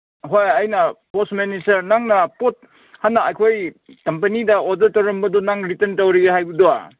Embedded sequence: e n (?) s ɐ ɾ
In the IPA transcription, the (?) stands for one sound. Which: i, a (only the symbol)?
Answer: i